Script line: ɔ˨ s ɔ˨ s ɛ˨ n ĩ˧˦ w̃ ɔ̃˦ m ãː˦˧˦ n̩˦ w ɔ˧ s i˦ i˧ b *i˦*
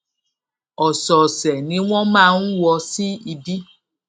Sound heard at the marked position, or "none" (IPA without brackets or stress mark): i˦